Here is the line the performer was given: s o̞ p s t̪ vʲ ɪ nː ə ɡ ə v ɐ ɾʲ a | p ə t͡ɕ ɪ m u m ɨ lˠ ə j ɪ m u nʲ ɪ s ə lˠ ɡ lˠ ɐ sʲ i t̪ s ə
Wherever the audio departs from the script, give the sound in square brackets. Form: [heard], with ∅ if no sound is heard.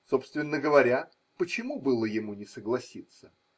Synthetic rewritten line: s o̞ p s t̪ vʲ ɪ nː ə ɡ ə v ɐ ɾʲ a | p ə t͡ɕ ɪ m u [b] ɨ lˠ ə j ɪ m u nʲ ɪ s ə [∅] ɡ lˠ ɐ sʲ i t̪ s ə